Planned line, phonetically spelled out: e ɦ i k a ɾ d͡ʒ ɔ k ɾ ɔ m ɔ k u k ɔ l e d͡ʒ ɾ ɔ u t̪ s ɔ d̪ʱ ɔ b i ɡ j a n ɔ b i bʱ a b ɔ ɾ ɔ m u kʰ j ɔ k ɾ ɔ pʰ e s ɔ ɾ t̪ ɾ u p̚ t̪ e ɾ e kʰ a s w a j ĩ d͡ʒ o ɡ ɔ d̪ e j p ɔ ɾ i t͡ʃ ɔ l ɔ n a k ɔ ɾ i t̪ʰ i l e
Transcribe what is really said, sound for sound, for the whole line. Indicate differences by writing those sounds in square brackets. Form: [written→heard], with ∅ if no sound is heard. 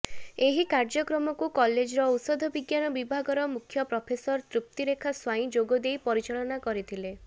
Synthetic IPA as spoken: e ɦ i k a ɾ d͡ʒ ɔ k ɾ ɔ m ɔ k u k ɔ l e d͡ʒ ɾ ɔ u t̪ s ɔ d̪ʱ ɔ b i ɡ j a n ɔ b i bʱ a [b→ɡ] ɔ ɾ ɔ m u kʰ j ɔ [k→p] ɾ ɔ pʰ e s ɔ ɾ t̪ ɾ u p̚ t̪ [e→i] ɾ e kʰ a s w a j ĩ d͡ʒ o ɡ ɔ d̪ e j p ɔ ɾ i t͡ʃ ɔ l ɔ n a k ɔ ɾ i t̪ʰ i l e